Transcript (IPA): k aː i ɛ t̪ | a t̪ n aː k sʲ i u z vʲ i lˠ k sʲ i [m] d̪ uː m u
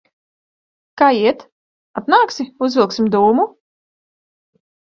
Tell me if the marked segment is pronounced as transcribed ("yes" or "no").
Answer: yes